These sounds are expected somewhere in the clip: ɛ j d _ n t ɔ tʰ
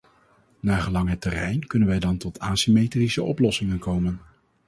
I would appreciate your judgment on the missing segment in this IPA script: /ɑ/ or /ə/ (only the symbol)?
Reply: ɑ